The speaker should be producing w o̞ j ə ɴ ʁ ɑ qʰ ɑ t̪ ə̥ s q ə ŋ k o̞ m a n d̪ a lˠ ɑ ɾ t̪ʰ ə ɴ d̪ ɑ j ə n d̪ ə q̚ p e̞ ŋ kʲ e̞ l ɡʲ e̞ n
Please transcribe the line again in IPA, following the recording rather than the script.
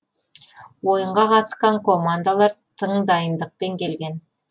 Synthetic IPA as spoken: w o̞ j ə ɴ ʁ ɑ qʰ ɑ t̪ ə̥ s q ɑ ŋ k o̞ m a n d̪ a lˠ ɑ ɾ t̪ʰ ə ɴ d̪ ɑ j ə n d̪ ə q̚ p e̞ ŋ kʲ e̞ l ɡʲ e̞ n